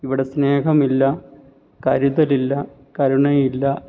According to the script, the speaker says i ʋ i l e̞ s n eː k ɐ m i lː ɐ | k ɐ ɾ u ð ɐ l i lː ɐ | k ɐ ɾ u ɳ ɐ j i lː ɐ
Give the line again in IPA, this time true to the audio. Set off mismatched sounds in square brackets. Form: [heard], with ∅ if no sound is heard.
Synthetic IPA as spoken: i ʋ i [ɽ] e̞ s n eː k ɐ m i lː ɐ | k ɐ ɾ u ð ɐ l i lː ɐ | k ɐ ɾ u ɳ ɐ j i lː ɐ